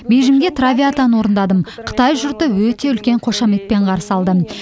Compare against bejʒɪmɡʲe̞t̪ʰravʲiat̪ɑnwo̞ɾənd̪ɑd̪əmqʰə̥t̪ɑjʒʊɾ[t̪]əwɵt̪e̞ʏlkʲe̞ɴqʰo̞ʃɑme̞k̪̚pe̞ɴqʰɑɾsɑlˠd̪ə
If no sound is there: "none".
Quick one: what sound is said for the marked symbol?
t̪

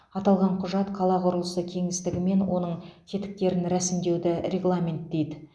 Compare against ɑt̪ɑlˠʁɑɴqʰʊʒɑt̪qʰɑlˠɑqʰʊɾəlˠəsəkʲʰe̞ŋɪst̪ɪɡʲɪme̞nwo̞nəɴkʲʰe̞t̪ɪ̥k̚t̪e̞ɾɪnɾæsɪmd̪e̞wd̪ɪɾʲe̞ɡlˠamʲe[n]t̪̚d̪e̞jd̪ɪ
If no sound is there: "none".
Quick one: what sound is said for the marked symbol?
n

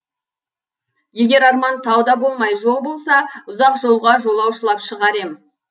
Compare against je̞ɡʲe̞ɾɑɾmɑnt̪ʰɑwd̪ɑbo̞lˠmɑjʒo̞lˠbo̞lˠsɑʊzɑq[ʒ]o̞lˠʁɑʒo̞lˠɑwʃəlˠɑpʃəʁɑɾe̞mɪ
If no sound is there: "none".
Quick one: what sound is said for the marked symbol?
ʒ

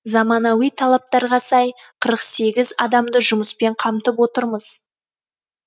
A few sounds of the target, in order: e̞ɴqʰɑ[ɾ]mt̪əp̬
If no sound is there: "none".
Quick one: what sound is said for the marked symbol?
none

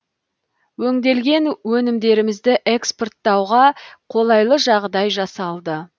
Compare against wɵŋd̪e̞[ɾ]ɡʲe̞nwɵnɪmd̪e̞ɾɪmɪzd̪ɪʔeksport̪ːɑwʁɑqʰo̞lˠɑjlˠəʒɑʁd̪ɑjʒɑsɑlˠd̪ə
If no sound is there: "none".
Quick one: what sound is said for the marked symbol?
l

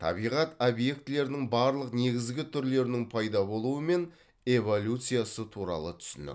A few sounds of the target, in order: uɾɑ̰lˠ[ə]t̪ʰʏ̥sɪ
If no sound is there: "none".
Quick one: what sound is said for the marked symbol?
ə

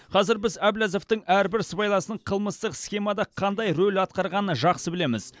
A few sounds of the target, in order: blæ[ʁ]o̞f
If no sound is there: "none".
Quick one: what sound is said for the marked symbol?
z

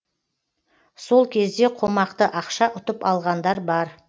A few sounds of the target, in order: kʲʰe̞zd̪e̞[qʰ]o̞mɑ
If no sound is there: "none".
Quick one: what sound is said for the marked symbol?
qʰ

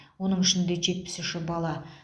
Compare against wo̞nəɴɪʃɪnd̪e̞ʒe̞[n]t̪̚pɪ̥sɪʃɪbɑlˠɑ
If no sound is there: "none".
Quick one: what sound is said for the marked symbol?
none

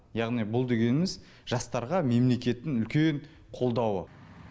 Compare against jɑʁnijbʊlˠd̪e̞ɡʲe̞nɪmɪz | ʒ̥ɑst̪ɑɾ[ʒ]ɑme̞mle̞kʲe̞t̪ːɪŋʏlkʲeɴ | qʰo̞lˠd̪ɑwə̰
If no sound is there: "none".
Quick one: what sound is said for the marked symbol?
ʁ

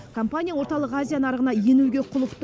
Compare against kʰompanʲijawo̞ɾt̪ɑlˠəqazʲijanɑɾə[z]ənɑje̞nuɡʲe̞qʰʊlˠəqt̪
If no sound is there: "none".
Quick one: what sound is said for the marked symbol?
ʁ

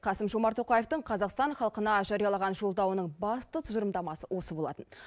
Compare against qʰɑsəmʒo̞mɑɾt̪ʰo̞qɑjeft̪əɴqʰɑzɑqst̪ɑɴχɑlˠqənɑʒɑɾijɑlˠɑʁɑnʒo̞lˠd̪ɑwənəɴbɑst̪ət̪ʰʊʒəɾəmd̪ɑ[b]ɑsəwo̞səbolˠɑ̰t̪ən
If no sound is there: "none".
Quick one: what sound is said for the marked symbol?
m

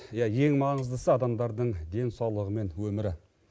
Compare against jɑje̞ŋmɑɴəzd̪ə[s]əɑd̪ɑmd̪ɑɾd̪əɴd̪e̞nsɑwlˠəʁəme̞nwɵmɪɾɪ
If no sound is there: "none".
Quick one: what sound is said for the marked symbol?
s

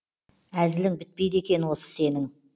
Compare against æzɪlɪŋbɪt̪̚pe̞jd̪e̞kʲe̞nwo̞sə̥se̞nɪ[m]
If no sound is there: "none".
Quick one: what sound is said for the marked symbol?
ŋ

